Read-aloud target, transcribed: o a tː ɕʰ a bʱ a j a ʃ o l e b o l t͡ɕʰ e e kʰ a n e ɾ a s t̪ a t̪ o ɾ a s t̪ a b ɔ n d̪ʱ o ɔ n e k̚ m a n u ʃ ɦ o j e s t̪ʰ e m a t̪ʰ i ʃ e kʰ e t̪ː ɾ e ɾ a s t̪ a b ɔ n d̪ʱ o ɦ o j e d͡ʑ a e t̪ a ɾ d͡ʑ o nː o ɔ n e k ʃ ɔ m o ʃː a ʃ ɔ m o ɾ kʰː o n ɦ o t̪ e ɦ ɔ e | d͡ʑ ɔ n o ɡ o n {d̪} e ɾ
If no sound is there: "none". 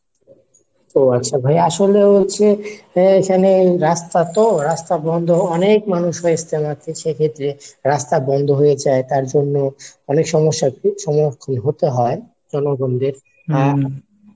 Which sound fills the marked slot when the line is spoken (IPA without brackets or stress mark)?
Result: d̪